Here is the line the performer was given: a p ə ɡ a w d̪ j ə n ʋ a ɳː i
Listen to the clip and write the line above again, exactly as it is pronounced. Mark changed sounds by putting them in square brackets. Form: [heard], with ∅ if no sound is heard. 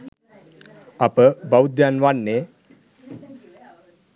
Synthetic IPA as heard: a p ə [b] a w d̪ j [a] n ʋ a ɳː [e]